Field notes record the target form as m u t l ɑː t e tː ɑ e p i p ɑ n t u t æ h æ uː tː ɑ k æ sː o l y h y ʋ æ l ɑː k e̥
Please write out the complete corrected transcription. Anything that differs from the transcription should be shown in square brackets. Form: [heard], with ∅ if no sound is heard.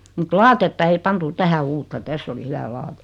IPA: m u t l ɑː t e tː ɑ e [∅] i p ɑ n t u t æ h æ uː tː ɑ [t] æ sː o l [i] h y ʋ æ l ɑː [t] e̥